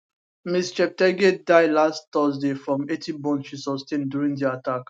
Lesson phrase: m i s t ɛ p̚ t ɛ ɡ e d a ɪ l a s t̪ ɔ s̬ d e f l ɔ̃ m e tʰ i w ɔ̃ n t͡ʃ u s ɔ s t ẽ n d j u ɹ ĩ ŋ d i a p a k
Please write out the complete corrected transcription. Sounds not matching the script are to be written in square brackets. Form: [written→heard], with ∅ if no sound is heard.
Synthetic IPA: m i s [t→t͡ʃ] ɛ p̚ t ɛ ɡ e d a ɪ l a s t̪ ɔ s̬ d e f [l→ɹ] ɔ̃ m e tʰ i [w→b] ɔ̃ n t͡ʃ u s ɔ s t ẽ n d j u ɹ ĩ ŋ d i a [p→t] a k